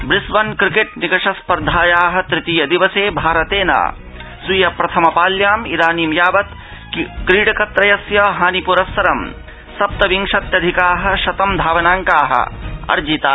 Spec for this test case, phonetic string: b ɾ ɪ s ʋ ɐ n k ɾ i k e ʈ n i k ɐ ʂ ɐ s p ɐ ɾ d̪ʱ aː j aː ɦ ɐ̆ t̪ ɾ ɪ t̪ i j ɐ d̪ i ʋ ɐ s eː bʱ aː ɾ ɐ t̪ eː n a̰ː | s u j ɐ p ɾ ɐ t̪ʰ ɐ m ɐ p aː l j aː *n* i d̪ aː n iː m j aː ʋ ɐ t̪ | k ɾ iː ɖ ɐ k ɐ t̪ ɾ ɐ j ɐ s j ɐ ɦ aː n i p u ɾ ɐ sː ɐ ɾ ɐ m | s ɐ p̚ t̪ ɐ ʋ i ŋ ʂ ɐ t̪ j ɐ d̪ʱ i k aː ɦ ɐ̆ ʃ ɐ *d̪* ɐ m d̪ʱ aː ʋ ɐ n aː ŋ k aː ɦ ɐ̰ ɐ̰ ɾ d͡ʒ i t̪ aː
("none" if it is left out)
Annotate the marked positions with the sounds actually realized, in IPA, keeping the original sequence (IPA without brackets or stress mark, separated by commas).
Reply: m, t̪